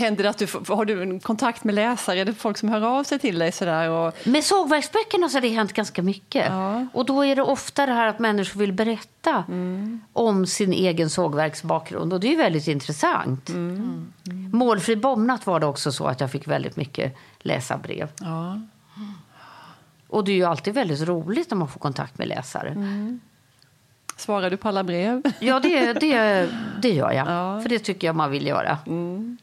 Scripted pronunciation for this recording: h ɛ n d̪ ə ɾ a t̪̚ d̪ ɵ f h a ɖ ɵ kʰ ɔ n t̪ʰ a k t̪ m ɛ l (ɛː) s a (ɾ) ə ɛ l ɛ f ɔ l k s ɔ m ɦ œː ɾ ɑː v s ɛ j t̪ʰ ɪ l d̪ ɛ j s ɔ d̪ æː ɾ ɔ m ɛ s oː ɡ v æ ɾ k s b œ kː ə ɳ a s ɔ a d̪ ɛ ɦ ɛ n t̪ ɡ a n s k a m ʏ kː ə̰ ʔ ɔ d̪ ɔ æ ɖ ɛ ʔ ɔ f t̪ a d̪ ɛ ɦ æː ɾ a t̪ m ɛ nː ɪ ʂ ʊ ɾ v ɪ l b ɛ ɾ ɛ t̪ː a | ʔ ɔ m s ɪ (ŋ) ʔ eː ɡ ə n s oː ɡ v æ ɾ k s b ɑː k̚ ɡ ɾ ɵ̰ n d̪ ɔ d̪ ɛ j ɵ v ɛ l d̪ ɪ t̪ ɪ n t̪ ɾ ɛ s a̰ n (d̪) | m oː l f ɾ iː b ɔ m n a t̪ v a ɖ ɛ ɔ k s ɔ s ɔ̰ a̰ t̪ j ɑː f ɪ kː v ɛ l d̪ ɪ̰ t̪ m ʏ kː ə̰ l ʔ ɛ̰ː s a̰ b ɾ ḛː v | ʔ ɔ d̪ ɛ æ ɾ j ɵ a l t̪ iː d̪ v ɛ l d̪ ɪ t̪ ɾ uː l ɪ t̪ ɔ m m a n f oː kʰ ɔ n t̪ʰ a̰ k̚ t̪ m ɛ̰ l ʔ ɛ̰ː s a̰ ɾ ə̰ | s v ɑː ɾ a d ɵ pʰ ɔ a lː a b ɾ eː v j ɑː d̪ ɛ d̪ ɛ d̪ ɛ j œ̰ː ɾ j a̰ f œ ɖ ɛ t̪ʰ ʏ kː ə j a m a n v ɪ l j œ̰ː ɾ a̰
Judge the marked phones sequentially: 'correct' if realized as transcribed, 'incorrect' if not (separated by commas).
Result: correct, correct, incorrect, incorrect